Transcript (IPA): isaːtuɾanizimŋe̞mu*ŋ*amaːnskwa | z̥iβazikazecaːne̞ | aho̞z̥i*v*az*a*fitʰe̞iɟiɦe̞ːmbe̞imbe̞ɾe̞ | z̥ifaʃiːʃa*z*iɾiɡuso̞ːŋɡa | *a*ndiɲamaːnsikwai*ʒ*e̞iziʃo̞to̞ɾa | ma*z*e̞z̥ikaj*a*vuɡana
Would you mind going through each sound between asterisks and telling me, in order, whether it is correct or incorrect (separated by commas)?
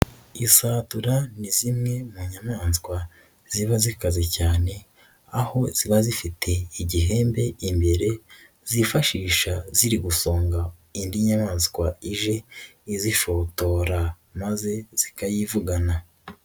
incorrect, incorrect, incorrect, correct, incorrect, correct, correct, incorrect